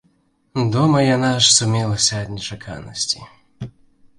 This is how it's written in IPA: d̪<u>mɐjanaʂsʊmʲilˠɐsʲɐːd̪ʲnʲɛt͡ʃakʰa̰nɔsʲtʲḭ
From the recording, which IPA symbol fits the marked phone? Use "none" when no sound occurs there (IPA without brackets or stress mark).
ɔ